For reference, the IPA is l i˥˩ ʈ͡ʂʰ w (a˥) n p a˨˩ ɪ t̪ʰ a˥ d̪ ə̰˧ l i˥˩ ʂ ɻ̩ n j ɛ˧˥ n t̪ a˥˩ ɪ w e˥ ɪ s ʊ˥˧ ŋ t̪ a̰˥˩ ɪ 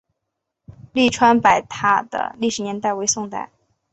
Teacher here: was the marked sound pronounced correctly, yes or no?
yes